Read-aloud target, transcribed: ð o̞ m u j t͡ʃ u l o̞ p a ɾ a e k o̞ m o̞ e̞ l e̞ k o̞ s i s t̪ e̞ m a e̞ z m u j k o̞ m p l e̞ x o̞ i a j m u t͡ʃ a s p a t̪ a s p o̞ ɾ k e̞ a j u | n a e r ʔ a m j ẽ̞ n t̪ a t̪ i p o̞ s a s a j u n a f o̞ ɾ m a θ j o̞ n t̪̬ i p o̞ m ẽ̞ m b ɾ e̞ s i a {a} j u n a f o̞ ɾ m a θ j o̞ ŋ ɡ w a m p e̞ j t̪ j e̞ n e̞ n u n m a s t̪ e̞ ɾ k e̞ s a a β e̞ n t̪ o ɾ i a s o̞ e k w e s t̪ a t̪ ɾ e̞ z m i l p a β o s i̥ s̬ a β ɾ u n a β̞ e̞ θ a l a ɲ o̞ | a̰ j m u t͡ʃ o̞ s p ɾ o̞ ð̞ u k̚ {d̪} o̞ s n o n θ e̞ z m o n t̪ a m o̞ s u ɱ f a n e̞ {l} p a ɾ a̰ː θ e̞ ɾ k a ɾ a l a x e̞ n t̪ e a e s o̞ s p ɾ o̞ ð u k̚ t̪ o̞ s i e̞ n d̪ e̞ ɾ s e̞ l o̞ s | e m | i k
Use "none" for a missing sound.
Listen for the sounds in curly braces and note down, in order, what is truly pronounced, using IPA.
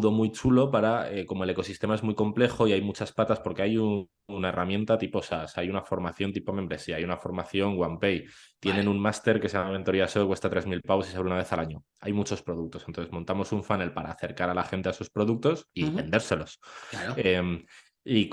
a, t̪, l

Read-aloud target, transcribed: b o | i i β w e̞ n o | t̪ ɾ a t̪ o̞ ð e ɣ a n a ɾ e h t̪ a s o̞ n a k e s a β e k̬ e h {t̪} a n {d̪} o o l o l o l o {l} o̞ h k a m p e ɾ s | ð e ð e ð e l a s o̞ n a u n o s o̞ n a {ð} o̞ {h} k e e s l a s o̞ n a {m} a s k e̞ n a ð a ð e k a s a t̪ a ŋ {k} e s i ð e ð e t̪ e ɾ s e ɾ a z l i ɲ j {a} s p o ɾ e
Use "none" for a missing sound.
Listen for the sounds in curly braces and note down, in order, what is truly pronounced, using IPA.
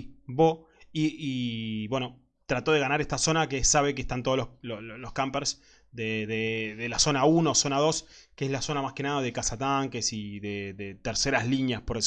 t̪, t̪, l, ð, s, m, k, a

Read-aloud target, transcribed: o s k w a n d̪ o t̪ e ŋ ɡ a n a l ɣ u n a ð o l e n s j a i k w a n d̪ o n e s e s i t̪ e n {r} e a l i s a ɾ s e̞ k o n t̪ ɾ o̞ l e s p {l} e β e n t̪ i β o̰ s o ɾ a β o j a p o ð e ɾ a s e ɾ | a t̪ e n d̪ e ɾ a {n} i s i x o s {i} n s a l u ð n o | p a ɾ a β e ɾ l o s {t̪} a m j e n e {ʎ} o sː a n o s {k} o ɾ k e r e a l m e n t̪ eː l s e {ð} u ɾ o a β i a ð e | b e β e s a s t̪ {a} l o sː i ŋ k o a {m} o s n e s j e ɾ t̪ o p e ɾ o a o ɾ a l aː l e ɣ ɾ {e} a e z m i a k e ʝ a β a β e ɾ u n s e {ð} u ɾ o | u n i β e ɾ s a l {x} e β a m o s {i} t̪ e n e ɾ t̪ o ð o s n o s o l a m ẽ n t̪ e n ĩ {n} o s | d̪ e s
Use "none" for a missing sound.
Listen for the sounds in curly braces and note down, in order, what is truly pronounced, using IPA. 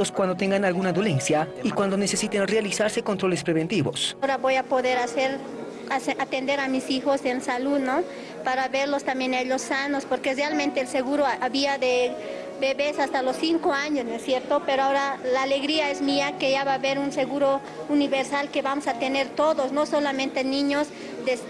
r, ɾ, m, e, t̪, ʎ, p, ɣ, a, ɲ, i, ɣ, k, a, ɲ

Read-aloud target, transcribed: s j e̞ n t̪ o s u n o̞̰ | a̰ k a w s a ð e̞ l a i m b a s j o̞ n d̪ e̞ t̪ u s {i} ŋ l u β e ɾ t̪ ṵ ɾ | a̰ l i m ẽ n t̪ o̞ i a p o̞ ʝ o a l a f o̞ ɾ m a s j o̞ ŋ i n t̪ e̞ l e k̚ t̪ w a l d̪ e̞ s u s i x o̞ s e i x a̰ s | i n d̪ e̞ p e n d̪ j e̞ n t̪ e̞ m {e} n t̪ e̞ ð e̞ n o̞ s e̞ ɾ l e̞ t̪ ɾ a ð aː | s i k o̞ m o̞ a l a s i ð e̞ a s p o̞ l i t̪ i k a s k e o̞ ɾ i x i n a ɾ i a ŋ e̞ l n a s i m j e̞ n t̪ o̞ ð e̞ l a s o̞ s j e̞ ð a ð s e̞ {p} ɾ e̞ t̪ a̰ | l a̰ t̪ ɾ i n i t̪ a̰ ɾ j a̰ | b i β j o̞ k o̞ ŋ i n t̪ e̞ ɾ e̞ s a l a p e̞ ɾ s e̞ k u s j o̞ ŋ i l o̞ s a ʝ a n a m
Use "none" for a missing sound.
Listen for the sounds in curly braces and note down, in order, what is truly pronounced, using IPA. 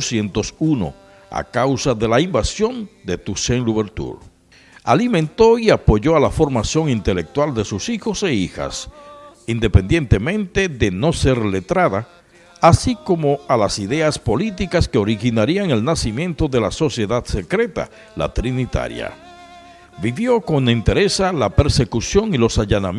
e, ẽ, k

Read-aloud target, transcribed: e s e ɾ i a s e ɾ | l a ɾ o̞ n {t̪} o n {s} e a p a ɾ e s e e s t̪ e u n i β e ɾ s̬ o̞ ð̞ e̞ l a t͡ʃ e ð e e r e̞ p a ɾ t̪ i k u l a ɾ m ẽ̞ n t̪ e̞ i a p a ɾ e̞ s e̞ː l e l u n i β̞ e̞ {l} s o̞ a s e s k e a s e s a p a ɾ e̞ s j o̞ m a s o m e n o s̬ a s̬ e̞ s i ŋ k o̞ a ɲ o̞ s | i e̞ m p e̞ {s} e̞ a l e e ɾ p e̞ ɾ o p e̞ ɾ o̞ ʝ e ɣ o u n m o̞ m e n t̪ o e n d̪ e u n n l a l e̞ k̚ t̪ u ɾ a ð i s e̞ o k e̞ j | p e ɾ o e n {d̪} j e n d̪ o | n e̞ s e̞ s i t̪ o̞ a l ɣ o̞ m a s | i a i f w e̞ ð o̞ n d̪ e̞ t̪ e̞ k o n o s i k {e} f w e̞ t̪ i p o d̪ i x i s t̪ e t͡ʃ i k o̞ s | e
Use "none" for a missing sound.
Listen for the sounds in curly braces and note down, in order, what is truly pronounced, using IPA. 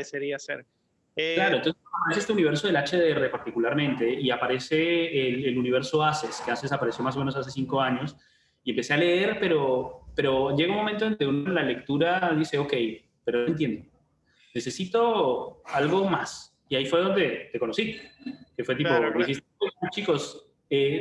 t̪, s, ɾ, s, t̪, e

